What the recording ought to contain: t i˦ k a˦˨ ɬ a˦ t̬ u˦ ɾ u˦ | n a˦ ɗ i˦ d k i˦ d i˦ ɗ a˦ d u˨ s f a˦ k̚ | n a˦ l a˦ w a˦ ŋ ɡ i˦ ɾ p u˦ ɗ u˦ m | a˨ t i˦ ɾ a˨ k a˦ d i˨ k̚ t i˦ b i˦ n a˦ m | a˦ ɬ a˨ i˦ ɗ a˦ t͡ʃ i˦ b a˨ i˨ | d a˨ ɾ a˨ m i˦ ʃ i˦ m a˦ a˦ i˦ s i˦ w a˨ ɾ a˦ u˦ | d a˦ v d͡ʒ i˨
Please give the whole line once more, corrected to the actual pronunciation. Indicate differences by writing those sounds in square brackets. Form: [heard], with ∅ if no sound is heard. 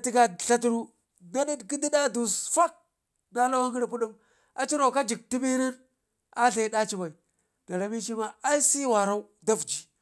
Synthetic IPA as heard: t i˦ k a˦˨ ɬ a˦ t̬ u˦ ɾ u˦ | n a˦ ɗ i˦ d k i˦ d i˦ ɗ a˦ d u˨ s f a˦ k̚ | n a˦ l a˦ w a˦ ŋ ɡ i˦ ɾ p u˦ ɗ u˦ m | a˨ [t͡ʃ] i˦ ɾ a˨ k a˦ [d͡ʒ] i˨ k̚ t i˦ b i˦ n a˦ [n] | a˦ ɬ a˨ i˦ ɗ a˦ t͡ʃ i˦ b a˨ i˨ | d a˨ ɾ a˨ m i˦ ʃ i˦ m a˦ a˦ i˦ s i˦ w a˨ ɾ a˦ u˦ | d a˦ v d͡ʒ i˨

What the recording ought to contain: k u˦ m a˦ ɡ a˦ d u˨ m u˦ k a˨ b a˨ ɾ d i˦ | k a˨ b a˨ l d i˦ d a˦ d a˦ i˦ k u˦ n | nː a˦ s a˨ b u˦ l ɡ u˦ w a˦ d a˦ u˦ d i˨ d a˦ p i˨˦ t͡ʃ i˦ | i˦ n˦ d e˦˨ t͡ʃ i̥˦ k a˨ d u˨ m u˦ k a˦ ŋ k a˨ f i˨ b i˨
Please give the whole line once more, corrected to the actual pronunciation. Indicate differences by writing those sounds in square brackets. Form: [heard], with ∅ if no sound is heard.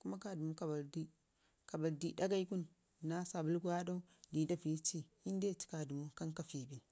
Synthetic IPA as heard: k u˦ m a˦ [k] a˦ d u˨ m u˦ k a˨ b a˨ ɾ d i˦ | k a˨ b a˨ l d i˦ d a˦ [ɡ] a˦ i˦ k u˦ n | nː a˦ s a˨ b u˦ l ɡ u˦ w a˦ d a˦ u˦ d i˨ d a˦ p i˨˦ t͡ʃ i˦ | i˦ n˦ d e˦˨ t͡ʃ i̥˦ k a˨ d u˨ m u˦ k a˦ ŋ k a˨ f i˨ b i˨

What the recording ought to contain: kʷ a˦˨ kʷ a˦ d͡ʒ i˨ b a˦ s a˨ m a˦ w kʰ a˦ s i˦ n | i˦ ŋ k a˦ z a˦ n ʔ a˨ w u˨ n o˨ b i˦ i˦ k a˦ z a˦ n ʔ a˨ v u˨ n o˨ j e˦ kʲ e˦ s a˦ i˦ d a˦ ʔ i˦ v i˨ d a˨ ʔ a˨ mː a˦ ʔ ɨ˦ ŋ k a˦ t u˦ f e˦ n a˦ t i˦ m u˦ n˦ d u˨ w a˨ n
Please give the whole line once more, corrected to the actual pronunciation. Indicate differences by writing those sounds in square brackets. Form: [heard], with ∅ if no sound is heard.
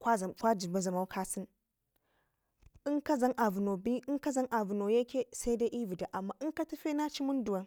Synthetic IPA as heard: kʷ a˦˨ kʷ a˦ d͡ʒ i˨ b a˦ [z] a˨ m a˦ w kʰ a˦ s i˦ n | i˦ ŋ k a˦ z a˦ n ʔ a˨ [v] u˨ n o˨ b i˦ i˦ k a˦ z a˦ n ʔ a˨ v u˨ n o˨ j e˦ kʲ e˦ s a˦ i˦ d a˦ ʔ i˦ v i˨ d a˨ ʔ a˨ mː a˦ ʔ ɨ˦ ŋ k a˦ t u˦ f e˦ n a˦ [t͡ʃ] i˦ m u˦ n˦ d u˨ w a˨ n

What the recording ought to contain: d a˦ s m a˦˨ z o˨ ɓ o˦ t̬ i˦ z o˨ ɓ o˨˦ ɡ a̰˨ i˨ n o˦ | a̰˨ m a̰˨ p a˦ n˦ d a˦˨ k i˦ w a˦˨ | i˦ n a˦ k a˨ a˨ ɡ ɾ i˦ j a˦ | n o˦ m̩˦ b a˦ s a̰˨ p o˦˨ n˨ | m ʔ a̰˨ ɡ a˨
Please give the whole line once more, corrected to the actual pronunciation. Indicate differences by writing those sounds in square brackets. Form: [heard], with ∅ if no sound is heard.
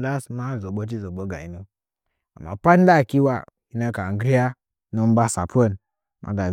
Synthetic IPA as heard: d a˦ s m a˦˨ z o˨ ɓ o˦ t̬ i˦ z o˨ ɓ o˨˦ ɡ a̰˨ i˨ n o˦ | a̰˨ m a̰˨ p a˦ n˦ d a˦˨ k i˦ w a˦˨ | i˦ n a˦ k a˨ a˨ ɡ ɾ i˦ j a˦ | n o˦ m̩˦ b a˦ s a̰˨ p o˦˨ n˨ | m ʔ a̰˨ ɡ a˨

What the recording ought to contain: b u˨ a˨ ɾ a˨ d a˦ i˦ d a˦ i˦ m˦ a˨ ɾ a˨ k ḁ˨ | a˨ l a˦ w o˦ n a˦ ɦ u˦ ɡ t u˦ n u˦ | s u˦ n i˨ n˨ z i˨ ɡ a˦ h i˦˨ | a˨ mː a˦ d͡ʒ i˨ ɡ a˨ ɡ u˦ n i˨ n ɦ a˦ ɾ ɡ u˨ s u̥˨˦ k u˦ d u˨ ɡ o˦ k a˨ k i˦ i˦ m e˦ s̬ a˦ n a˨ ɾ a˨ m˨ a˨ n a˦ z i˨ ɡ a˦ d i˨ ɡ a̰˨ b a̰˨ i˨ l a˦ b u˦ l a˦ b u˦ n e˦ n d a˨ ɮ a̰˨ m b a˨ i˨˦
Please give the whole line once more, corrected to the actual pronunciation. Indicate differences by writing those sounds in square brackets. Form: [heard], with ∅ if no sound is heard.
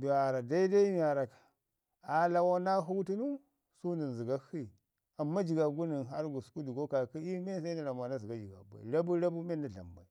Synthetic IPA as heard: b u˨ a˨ ɾ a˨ d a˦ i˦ d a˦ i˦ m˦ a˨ ɾ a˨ k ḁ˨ | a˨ l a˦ w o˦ n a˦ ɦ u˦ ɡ t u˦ n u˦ | s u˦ n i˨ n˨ z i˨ ɡ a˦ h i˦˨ | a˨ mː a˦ d͡ʒ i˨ ɡ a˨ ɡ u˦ n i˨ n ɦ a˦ ɾ ɡ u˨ s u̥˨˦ k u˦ d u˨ ɡ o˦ k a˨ k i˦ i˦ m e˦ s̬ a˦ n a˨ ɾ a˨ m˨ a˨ n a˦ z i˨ ɡ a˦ [d͡ʒ] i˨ ɡ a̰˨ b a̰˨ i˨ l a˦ b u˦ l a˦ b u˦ [m] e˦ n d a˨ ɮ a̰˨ m b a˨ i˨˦

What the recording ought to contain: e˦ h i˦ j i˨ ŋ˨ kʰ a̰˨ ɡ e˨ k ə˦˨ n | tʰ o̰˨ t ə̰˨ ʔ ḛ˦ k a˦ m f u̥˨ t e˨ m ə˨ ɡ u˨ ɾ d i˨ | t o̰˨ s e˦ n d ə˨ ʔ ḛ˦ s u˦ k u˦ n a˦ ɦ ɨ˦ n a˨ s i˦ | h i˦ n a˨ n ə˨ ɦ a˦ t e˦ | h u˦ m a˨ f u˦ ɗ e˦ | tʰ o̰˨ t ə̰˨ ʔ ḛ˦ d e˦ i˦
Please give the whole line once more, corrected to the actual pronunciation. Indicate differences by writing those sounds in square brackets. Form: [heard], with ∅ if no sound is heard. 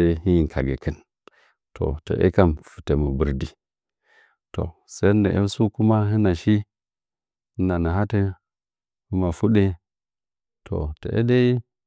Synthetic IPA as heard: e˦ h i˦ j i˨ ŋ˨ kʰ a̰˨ ɡ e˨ k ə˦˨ n | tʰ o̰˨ t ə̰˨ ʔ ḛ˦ k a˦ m f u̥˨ t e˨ m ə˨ [b] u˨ ɾ d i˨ | t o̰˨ s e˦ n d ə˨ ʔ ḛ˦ s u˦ k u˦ [m] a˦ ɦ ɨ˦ n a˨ [ʃ] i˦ | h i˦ n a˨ n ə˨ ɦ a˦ t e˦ | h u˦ m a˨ f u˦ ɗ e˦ | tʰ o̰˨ t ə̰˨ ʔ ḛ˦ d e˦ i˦

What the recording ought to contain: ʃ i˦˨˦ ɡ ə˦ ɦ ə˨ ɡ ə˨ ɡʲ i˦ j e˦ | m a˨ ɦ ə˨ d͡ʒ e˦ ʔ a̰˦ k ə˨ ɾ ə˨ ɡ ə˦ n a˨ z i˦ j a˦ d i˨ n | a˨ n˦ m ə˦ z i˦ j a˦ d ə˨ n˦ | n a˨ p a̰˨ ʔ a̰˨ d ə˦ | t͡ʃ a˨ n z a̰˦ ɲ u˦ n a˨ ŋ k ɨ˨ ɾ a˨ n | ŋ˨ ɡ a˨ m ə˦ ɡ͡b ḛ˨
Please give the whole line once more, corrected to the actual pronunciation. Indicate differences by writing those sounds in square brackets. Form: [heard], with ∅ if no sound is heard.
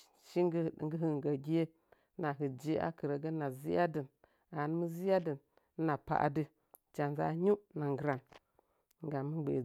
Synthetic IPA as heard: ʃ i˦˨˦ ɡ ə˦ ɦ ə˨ ɡ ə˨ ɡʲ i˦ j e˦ | [n] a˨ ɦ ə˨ d͡ʒ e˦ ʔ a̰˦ k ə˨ ɾ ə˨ ɡ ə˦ n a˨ z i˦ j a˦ d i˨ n | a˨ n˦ m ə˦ z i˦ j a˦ d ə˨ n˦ | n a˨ p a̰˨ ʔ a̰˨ d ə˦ | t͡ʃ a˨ n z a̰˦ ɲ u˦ n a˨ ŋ [ɡ] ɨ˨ ɾ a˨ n | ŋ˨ ɡ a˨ m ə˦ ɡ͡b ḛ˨

